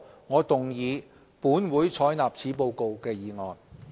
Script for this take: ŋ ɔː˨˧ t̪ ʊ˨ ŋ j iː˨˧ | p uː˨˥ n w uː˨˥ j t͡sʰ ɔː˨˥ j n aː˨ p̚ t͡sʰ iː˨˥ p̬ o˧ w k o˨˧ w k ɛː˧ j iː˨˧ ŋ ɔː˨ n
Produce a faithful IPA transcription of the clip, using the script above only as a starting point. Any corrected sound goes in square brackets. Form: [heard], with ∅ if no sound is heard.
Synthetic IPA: ŋ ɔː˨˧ t̪ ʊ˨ ŋ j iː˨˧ | p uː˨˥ n w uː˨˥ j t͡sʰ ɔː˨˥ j n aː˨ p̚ t͡sʰ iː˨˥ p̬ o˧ w k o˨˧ w k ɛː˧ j iː˨˧ ŋ ɔː˨ n